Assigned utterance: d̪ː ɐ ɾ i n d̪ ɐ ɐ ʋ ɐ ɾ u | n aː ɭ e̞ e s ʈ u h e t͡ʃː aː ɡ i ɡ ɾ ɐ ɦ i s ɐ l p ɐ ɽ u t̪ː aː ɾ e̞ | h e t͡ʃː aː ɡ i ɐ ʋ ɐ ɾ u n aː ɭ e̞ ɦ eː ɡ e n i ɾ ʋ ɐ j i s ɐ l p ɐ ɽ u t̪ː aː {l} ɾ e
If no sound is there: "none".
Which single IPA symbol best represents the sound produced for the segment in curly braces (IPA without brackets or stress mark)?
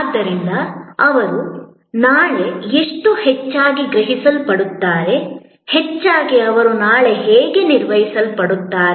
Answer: none